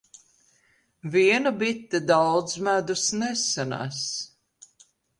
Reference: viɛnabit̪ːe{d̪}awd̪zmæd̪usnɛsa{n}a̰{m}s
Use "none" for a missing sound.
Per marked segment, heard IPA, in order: d̪, n, none

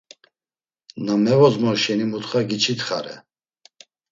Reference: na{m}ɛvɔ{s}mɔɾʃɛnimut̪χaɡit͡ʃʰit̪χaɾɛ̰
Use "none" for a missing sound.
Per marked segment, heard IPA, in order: m, z

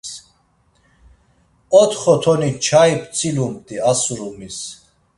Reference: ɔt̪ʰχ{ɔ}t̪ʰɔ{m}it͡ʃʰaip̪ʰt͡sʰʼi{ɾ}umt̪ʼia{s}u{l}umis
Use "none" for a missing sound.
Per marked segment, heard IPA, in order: ɔ, n, l, s, ɾ

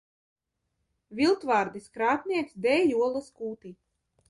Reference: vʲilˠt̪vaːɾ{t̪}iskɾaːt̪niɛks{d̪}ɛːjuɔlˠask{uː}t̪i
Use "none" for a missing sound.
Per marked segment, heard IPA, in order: d̪, d̪, uː

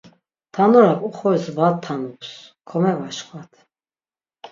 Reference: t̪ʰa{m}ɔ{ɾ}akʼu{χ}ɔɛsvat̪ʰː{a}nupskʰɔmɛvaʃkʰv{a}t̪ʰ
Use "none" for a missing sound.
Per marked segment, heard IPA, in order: n, ɾ, χ, a, a

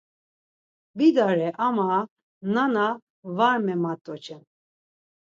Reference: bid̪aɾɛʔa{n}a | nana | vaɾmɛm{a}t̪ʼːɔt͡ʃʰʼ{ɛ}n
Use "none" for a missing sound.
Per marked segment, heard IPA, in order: m, a, ɛ

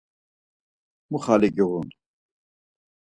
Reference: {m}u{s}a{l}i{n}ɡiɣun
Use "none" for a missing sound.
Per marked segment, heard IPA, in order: m, χ, l, none

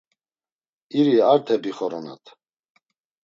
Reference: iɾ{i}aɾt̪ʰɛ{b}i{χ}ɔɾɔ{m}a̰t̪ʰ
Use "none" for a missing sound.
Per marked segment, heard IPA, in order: i, b, χ, n

